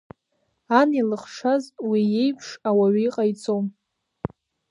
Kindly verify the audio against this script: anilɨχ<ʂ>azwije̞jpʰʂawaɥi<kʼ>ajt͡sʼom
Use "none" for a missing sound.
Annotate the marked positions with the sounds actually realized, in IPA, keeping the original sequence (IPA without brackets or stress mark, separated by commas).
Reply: ʂ, qʼ